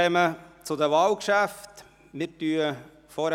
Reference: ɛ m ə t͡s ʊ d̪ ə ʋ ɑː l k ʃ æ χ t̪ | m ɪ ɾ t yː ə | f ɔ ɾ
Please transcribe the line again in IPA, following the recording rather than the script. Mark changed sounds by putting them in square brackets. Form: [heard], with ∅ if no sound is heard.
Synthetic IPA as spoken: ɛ m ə t͡s ʊ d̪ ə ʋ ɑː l k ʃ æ [f] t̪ | m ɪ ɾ t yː ə | f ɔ ɾ